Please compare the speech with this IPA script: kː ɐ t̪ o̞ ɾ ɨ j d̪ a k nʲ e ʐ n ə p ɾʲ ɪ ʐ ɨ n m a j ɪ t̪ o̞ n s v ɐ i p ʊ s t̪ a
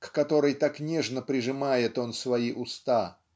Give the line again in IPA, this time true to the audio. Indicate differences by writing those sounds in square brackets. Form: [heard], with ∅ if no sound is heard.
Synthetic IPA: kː ɐ t̪ o̞ ɾ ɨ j [t̪] a k nʲ e ʐ n ə p ɾʲ ɪ ʐ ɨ [∅] m a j ɪ t̪ o̞ n s v ɐ i [ʔ] ʊ s t̪ a

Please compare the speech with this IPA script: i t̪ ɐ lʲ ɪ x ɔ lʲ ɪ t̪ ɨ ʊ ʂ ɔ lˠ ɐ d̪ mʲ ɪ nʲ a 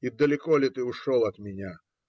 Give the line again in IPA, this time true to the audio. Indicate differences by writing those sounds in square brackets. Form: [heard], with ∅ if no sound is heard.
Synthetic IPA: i [d̪] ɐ lʲ ɪ [k] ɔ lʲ ɪ t̪ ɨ ʊ ʂ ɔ lˠ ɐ [t̪] mʲ ɪ nʲ a

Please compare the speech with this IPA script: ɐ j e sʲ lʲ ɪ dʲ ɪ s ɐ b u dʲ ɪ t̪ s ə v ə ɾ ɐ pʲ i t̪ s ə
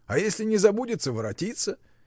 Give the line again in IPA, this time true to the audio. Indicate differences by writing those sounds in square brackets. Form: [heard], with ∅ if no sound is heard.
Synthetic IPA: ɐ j e sʲ lʲ ɪ [nʲ] ɪ [z] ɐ b u dʲ ɪ t̪ s ə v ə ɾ ɐ [tʲ] i t̪ s ə

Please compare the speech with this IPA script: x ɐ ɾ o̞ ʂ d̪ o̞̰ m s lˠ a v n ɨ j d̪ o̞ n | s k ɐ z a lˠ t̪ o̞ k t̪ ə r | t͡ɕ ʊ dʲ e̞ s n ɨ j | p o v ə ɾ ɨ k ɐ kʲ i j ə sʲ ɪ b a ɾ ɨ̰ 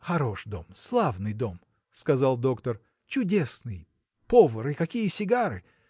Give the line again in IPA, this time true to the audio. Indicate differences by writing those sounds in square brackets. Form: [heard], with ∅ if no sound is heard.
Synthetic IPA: x ɐ ɾ o̞ ʂ d̪ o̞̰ m s lˠ a v n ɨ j d̪ o̞ [m] | s k ɐ z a lˠ [d̪] o̞ k t̪ ə r | t͡ɕ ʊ dʲ e̞ s n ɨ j | p o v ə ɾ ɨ k ɐ kʲ i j ə sʲ ɪ [ɡ] a ɾ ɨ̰

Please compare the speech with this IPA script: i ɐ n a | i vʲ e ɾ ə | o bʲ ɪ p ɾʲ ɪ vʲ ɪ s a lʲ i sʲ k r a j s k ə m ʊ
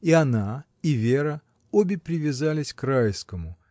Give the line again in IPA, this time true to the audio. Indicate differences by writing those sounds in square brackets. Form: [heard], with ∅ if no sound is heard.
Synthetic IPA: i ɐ n a | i vʲ e ɾ ə | o bʲ ɪ p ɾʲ ɪ vʲ ɪ [z] a lʲ [ɪ] sʲ k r a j s k ə m ʊ

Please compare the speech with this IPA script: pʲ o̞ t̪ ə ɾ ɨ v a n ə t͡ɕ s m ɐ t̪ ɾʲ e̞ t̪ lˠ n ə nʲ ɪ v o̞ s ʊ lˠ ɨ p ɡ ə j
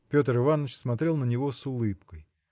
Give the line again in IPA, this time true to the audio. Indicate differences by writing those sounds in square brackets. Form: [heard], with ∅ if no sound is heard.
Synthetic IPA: pʲ o̞ t̪ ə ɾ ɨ v a n ə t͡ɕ s m ɐ t̪ ɾʲ e̞ [∅] lˠ n ə nʲ ɪ v o̞ s ʊ lˠ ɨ p [k] ə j

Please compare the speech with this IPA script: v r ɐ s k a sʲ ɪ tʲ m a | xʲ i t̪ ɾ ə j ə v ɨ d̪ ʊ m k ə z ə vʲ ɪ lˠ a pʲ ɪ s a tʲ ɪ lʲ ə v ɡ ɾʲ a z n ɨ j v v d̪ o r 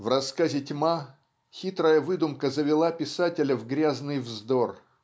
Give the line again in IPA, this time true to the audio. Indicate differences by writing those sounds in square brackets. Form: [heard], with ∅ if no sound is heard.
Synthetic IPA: v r ɐ s k a [zʲ] ɪ tʲ m a | xʲ i t̪ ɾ ə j ə v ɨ d̪ ʊ m k ə z ə vʲ ɪ lˠ a pʲ ɪ s a tʲ ɪ lʲ ə v ɡ ɾʲ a z n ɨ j v [z] d̪ o r

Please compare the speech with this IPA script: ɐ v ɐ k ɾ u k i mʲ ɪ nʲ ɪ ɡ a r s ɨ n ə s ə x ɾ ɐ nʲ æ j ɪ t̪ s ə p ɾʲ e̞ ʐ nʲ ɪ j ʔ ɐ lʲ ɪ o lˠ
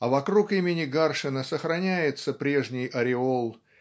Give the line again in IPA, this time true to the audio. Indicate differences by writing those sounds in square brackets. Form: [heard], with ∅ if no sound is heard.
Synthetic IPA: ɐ v ɐ k ɾ u k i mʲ ɪ nʲ ɪ ɡ a r [ʂ] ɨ n ə s ə x ɾ ɐ nʲ æ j ɪ t̪ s ə p ɾʲ e̞ ʐ nʲ ɪ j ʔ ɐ [ɾʲ] ɪ o lˠ

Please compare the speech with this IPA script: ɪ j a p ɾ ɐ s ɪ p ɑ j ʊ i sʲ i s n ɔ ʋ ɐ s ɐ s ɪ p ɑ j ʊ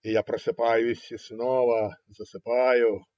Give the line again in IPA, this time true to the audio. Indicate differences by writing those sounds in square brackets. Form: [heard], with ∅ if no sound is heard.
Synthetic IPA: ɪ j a p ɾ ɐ s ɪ p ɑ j ʊ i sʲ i s n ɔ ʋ ɐ [z] ɐ s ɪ p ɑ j ʊ

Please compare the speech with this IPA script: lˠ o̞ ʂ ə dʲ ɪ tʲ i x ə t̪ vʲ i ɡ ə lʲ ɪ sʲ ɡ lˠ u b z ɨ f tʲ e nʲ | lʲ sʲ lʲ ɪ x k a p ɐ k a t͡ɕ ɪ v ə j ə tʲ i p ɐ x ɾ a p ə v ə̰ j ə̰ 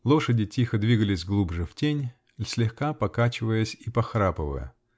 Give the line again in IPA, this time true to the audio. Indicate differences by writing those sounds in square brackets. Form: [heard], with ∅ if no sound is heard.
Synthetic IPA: lˠ o̞ ʂ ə dʲ ɪ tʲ i x ə [d̪] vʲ i ɡ ə lʲ ɪ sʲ ɡ lˠ u b [ʐ] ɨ f tʲ e nʲ | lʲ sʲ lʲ ɪ x k a p ɐ k a t͡ɕ ɪ v ə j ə [sʲ] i p ɐ x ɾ a p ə v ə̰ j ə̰

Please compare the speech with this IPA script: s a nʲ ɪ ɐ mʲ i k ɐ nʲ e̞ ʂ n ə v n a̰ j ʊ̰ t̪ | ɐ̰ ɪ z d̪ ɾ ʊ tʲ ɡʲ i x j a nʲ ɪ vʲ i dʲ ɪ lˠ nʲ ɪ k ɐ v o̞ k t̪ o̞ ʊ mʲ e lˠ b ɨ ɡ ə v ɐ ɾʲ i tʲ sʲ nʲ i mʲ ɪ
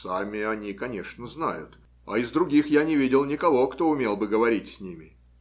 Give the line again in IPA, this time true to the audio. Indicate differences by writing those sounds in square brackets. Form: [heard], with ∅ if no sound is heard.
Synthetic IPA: s a [mʲ] ɪ ɐ [nʲ] i k ɐ nʲ e̞ ʂ n ə [z] n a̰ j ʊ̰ t̪ | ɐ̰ ɪ z d̪ ɾ ʊ [∅] ɡʲ i x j a nʲ ɪ vʲ i dʲ ɪ lˠ nʲ ɪ k ɐ v o̞ k t̪ o̞ ʊ mʲ e lˠ b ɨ ɡ ə v ɐ ɾʲ i tʲ sʲ nʲ i mʲ ɪ

